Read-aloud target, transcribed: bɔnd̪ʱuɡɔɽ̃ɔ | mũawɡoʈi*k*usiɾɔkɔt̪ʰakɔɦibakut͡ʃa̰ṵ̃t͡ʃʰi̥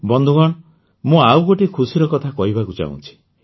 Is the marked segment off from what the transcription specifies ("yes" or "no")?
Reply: yes